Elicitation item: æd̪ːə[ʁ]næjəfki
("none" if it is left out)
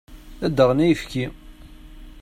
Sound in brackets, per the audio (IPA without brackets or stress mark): ʁ